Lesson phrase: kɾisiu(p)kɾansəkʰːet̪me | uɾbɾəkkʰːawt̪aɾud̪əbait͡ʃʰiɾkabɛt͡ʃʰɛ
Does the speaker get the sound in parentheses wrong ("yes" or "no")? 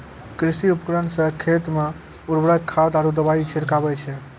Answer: no